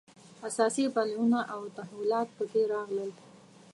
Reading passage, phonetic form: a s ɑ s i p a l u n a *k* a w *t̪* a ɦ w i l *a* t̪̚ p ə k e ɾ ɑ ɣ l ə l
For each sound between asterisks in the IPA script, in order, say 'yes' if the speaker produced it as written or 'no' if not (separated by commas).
no, yes, no